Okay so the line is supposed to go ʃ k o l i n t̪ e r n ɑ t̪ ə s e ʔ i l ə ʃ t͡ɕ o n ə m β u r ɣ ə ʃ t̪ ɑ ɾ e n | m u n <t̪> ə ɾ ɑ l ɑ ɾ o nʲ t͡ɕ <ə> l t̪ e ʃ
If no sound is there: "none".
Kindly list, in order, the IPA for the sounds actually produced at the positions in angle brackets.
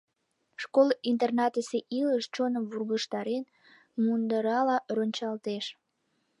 d̪, ɑ

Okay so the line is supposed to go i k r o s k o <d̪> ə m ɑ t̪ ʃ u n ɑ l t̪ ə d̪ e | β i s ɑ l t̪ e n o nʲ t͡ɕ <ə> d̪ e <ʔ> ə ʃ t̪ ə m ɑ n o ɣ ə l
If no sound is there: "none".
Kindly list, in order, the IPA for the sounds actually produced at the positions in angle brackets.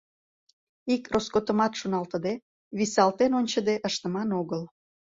t̪, ə, ʔ

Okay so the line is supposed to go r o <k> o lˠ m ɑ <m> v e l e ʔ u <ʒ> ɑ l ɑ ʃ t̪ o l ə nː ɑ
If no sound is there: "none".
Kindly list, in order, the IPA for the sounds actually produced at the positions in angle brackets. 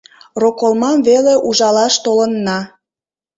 k, m, ʒ

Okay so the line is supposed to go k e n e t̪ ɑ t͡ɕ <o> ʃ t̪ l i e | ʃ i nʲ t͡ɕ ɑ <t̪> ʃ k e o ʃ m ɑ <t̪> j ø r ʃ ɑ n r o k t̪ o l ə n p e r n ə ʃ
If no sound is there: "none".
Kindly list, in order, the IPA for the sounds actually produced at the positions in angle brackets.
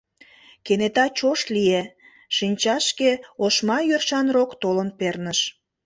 o, none, none

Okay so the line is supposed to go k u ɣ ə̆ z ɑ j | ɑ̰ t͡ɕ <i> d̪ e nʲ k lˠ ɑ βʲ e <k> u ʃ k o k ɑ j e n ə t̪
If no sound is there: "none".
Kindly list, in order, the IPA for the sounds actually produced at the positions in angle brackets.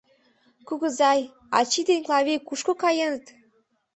i, k

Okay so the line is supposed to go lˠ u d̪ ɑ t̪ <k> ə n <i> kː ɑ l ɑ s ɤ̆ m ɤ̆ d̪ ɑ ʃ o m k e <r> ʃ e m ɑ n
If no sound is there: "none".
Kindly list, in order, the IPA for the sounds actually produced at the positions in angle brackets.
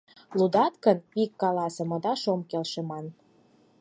k, i, l

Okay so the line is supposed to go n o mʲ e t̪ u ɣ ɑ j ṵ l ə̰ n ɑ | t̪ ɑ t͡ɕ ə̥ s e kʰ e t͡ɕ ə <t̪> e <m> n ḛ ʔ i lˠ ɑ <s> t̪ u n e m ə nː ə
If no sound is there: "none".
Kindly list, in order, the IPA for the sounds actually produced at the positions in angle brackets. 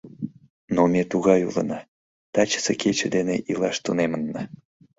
d̪, none, ʃ

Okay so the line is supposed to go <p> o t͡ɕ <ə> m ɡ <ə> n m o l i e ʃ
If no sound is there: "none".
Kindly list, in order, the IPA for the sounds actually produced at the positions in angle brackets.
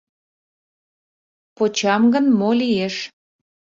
p, ɑ, ə

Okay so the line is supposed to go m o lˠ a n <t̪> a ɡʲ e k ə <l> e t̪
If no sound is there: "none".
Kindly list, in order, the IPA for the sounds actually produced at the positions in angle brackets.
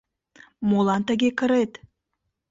t̪, ɾ

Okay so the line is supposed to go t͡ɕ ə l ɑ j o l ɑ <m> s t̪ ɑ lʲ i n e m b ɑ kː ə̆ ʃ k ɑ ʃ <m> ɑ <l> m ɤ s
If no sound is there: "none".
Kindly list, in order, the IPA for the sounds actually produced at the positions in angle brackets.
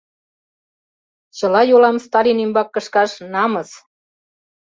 m, n, none

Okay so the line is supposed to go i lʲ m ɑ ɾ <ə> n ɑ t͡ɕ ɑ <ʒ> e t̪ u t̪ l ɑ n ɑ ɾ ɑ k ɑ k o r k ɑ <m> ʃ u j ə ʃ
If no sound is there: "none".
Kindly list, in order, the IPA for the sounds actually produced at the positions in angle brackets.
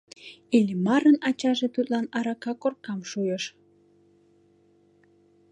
ə, ʒ, m

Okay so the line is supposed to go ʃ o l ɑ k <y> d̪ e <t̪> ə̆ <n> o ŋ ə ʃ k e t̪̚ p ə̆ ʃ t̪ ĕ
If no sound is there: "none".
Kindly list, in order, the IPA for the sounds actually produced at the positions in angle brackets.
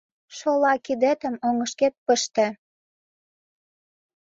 i, t̪, m

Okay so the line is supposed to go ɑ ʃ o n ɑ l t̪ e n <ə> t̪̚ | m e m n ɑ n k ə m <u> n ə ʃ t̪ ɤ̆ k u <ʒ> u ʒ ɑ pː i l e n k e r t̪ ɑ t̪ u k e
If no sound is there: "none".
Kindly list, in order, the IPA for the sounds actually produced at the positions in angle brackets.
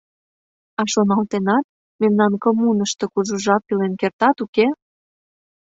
ɑ, u, ʒ

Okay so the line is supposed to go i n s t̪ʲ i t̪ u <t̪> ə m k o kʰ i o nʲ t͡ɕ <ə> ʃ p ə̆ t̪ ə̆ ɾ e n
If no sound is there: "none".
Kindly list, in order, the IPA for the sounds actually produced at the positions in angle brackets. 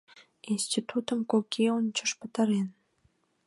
t̪, ə

